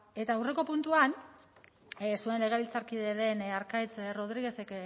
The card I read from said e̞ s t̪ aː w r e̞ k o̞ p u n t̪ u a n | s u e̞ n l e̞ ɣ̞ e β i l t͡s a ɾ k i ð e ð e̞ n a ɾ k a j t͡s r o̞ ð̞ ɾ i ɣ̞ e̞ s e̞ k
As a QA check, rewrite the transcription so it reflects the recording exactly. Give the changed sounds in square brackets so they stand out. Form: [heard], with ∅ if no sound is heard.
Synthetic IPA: e̞ [∅] t̪ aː w r e̞ k o̞ p u n t̪ u a n | s u e̞ n l e̞ ɣ̞ e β i l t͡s a ɾ k i ð e ð e̞ n a ɾ k a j t͡s r o̞ ð̞ ɾ i ɣ̞ e̞ s e̞ k